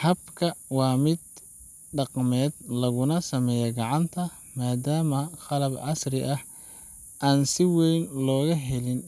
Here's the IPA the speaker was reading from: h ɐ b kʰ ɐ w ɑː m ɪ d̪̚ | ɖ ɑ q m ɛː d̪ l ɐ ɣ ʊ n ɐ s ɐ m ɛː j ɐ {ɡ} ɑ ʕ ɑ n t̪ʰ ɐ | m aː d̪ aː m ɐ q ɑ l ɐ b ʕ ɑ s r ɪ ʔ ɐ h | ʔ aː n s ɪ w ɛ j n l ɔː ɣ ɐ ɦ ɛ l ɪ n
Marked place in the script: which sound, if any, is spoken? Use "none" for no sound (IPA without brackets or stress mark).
ɡ